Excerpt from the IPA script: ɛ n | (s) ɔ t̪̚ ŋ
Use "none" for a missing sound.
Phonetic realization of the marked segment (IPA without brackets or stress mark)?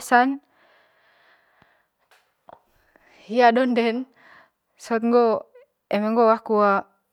s